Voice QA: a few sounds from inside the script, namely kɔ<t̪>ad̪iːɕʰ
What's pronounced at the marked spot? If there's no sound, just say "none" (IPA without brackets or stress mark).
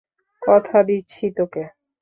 t̪ʰ